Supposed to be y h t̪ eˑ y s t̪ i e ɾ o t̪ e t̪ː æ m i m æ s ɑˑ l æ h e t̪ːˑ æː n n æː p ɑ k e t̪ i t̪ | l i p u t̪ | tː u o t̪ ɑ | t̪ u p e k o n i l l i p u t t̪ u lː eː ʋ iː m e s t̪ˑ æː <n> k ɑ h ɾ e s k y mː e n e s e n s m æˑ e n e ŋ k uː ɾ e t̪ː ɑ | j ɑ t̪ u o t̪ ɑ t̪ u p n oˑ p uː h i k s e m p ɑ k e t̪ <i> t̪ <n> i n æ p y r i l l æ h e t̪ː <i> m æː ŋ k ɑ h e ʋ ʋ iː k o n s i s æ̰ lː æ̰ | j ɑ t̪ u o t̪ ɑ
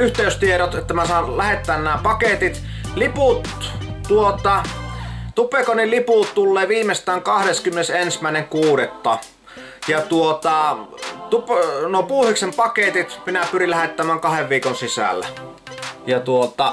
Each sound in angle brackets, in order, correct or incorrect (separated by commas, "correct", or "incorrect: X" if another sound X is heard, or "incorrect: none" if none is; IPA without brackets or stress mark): incorrect: ŋ, correct, incorrect: m, incorrect: æ